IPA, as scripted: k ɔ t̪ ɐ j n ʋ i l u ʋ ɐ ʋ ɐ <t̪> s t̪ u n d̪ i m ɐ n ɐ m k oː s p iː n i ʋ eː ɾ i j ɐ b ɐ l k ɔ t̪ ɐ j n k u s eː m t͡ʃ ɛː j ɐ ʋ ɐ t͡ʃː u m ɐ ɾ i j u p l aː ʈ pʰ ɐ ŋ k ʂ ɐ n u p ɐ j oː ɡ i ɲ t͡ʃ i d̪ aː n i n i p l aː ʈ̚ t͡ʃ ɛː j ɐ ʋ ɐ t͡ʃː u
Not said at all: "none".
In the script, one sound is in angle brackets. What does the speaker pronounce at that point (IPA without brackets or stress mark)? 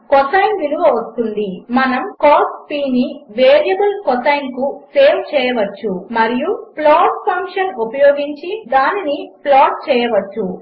none